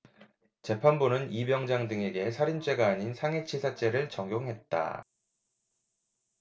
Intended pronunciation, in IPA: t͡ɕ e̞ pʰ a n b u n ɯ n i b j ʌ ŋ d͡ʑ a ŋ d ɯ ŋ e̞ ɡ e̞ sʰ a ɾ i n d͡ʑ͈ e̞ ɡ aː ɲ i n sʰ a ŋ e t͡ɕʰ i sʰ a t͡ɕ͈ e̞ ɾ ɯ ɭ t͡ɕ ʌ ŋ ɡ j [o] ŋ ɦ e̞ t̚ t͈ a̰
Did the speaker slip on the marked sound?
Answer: no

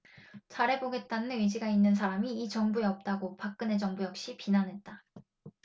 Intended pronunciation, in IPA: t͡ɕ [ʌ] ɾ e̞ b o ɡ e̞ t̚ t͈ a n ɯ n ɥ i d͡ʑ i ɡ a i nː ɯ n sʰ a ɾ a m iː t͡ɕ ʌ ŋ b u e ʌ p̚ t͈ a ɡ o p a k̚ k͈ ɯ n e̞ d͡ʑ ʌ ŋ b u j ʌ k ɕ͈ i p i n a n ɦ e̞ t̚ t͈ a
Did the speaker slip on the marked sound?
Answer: yes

